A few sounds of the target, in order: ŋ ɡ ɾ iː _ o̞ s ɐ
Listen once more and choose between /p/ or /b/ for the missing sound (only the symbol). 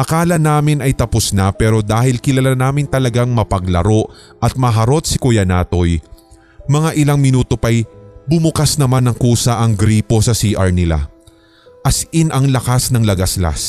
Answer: p